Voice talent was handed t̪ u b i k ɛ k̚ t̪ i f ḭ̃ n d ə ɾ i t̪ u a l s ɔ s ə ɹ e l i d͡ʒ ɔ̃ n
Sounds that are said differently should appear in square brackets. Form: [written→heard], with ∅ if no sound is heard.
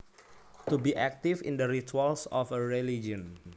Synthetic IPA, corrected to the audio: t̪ u b i [k→ʔ] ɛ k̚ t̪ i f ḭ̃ n d ə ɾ i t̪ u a l s ɔ [s→f] ə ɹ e l i d͡ʒ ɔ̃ n